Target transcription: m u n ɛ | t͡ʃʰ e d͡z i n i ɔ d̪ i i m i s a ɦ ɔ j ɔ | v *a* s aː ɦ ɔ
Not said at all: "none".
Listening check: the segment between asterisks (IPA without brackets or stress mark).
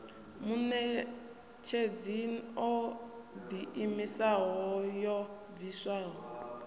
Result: i